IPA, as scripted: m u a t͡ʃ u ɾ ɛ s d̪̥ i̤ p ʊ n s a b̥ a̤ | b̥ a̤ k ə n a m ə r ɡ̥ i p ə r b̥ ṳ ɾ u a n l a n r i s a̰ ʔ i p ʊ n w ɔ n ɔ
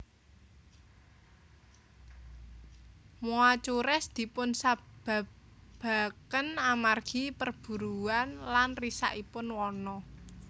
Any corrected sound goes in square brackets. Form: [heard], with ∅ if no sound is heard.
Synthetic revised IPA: m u a t͡ʃ u ɾ ɛ s d̪̥ i̤ p ʊ n s a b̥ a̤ | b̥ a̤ k ə n a m [a] r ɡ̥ i p ə r b̥ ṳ ɾ u a n l a n r i s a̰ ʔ i p ʊ n w ɔ n ɔ